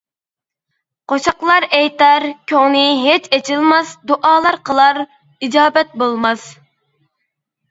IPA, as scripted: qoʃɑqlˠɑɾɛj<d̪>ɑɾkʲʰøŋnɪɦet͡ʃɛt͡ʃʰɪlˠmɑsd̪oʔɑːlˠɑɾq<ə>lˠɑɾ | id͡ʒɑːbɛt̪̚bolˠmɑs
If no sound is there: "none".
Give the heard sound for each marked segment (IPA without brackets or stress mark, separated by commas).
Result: t̪, ə